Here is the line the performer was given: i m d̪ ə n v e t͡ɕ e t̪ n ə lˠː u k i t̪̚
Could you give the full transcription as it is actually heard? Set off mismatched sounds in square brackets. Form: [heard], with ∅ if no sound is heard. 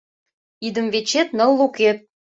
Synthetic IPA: i [∅] d̪ ə [m] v e t͡ɕ e t̪ n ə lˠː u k [e] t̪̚